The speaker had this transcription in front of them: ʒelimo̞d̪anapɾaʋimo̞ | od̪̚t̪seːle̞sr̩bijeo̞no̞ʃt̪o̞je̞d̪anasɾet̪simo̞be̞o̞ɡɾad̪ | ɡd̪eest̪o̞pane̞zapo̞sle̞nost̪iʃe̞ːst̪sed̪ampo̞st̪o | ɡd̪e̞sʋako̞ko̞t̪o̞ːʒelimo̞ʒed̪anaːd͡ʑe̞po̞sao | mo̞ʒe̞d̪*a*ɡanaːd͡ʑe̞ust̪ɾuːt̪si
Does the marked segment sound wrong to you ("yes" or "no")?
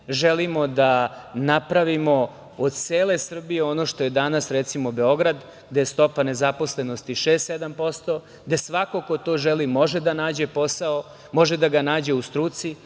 no